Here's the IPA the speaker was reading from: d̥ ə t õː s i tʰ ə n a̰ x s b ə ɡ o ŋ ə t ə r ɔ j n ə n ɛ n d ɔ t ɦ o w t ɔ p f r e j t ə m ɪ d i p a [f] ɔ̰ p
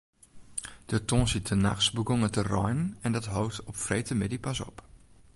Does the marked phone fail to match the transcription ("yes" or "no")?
yes